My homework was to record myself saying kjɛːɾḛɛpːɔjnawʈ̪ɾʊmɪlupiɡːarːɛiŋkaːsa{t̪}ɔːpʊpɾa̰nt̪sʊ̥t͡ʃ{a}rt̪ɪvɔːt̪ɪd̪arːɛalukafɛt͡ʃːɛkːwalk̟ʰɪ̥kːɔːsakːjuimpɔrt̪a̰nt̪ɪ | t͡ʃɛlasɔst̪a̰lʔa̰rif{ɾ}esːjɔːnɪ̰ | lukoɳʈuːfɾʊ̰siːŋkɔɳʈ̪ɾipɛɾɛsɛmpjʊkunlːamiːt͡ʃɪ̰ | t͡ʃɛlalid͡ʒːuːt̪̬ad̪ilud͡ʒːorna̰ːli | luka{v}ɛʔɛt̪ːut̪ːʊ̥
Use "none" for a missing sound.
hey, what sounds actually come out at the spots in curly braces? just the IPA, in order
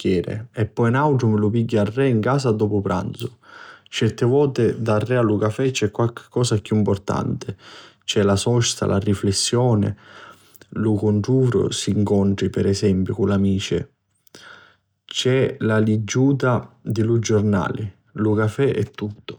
d̪, ɛ, l, f

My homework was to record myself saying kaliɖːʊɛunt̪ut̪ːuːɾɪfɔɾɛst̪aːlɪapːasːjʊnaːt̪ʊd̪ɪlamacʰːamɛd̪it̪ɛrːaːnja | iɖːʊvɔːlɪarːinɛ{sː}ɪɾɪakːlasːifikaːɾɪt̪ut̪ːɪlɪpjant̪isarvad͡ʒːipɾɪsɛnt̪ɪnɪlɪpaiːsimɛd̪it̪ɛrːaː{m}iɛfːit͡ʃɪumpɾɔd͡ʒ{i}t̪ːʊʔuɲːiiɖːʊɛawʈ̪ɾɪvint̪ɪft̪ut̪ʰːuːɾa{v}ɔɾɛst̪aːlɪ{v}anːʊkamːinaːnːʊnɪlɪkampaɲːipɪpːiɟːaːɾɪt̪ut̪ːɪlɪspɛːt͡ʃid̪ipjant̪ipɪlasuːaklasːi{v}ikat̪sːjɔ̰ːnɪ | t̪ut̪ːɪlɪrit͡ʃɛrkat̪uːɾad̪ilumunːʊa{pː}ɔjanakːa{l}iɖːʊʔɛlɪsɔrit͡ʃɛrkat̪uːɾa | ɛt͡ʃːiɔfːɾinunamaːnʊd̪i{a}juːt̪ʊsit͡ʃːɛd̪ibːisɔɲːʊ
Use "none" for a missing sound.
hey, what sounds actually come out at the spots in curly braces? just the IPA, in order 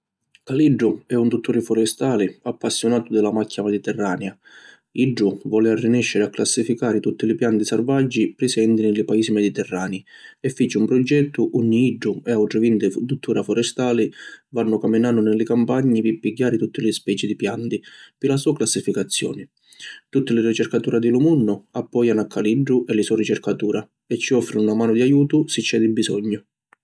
ʃː, n, ɛ, f, v, f, pː, l, a

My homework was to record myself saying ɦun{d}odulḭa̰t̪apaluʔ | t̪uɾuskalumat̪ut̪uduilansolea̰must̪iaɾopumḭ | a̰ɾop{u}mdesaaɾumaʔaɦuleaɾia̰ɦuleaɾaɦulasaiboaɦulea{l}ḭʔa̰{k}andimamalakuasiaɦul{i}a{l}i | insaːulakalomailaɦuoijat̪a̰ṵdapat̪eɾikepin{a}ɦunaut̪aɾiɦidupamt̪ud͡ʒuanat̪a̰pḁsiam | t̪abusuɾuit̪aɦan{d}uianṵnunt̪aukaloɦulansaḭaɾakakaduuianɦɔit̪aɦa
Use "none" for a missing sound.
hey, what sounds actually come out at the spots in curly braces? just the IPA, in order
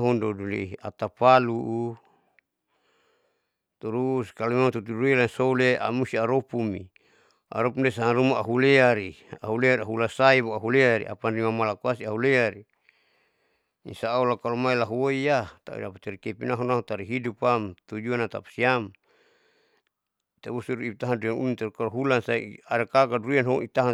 d, u, ɾ, p, e, ɾ, a, d

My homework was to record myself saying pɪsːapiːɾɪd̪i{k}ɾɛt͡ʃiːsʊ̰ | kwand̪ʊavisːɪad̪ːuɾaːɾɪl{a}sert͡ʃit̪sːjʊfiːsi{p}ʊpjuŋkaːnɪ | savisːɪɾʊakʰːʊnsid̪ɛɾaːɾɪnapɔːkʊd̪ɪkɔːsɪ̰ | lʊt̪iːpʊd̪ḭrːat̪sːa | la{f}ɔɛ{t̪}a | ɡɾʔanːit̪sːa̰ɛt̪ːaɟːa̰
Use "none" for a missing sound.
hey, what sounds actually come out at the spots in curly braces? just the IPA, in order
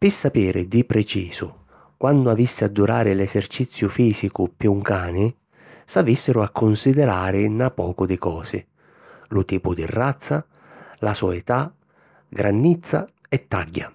p, ɛ, k, s, t̪

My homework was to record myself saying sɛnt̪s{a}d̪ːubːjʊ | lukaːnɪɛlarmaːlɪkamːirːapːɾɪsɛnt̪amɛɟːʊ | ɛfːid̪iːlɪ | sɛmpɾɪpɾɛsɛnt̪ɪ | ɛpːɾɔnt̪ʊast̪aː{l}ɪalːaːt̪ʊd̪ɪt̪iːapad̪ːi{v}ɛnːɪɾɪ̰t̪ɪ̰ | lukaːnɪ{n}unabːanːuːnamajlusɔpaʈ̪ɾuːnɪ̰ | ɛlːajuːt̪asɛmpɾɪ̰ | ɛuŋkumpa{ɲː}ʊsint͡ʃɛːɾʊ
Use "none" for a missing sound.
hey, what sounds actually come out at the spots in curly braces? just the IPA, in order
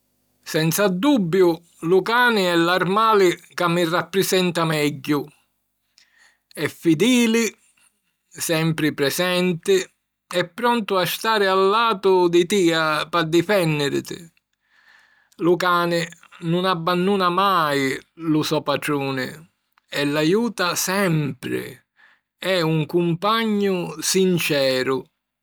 a, ɾ, f, n, ɲː

